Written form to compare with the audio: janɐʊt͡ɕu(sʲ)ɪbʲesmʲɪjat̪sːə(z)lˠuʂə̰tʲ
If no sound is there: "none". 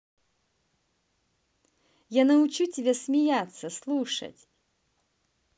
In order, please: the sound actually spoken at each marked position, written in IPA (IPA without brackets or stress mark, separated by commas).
tʲ, s